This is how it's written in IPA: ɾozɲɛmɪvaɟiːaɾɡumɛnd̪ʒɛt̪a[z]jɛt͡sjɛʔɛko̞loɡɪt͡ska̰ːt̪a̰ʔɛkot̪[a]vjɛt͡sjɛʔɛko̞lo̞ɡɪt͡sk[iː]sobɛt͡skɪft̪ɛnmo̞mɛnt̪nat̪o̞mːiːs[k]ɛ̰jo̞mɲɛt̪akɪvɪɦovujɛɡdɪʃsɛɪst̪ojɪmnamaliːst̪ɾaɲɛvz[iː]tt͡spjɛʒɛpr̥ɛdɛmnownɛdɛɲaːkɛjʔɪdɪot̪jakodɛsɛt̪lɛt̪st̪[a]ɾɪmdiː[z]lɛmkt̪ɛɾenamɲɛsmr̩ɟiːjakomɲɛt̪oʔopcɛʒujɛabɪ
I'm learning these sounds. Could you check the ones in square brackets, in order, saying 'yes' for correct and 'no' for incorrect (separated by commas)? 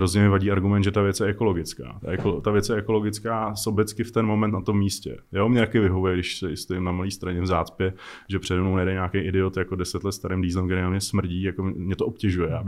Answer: no, yes, no, no, no, yes, yes